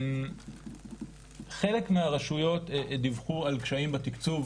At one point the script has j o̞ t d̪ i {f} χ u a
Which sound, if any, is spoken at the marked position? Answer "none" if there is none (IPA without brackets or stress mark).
v